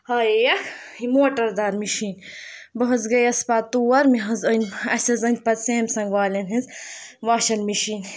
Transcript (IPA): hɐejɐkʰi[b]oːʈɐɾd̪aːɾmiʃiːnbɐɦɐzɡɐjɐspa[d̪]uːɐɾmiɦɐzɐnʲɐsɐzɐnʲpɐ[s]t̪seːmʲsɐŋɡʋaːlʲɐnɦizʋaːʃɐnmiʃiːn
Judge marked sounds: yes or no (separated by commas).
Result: no, no, no